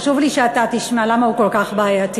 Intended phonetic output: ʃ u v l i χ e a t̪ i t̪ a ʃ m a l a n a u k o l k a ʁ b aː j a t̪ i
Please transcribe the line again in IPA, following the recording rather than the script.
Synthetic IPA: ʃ u v l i ʃ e a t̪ a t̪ i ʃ m a l a m a u k o l k a χ b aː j a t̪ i